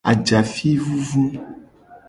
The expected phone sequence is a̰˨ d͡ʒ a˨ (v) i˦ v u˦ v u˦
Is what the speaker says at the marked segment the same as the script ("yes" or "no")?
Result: no